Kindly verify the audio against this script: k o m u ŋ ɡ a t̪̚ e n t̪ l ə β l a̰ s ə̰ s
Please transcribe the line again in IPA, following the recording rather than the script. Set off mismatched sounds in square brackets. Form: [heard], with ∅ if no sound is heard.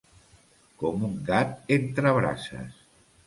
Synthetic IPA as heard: k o m u ŋ ɡ a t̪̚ e n t̪ [ɾ] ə β [ɾ] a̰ s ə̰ s